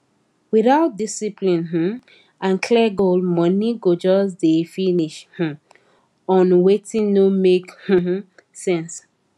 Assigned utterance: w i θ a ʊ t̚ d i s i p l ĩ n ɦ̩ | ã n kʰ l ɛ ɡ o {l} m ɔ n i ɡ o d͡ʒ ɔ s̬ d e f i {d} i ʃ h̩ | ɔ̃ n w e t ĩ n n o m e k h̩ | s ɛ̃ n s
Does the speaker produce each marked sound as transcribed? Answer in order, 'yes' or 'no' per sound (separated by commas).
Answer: yes, no